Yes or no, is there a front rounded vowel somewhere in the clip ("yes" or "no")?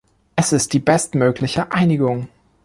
yes